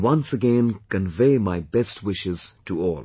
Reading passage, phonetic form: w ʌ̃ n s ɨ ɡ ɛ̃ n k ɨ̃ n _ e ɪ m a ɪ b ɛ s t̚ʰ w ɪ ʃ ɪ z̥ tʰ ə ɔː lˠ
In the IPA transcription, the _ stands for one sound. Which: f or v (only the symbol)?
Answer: v